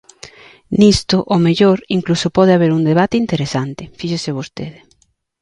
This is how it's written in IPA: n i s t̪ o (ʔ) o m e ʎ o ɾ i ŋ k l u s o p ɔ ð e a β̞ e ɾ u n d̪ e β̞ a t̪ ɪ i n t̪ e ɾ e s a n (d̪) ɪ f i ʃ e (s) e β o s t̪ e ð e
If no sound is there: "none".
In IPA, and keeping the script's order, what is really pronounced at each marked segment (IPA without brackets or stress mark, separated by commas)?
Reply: ʔ, t̪, s